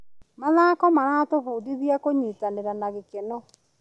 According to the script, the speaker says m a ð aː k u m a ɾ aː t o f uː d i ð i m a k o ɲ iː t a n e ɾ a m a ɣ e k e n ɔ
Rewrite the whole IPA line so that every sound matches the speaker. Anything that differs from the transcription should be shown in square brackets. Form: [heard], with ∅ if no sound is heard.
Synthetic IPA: m a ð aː k [ɔ] m a ɾ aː t o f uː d i ð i [∅] a k o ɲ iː t a n e ɾ a [n] a ɣ e k e n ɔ